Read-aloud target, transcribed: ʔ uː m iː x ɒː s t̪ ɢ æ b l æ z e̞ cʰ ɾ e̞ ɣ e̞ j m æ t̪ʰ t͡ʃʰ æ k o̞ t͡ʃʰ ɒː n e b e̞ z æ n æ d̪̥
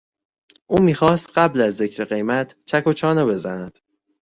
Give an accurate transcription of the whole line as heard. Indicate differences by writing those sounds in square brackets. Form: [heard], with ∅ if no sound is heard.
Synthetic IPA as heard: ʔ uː m iː x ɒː s t̪ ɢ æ b l æ [zː] e̞ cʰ ɾ e̞ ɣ e̞ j m æ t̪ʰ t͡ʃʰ æ k o̞ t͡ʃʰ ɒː n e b e̞ z æ n æ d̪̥